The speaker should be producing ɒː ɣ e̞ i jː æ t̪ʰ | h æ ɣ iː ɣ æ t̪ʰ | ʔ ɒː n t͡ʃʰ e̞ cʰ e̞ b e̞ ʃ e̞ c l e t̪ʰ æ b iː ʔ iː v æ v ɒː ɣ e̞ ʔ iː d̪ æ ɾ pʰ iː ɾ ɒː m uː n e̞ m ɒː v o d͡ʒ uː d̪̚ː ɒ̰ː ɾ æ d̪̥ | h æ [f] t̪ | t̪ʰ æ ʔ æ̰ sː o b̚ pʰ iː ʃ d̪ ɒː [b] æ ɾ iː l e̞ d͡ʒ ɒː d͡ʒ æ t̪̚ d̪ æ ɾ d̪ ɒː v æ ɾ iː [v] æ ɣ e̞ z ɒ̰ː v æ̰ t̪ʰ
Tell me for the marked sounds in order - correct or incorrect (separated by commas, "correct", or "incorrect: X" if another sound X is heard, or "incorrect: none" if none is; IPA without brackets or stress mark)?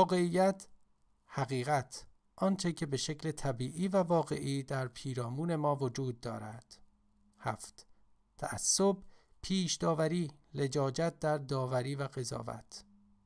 correct, incorrect: v, correct